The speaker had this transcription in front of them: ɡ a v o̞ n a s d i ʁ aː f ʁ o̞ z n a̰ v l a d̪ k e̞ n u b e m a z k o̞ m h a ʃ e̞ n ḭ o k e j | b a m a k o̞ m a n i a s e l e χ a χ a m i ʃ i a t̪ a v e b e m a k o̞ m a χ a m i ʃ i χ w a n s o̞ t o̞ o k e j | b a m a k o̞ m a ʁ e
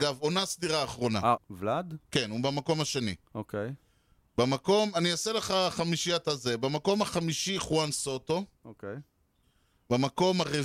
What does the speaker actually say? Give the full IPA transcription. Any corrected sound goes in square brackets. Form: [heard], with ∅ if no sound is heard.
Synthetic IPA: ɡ a v o̞ n a s d i ʁ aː [χ] ʁ o̞ [∅] n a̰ v l a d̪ k e̞ n u b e m a [∅] k o̞ m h a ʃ e̞ n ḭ o k e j | b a m a k o̞ m a n i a s e l e χ a χ a m i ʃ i a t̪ a [z] e b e m a k o̞ m a χ a m i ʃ i χ w a n s o̞ t o̞ o k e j | b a m a k o̞ m a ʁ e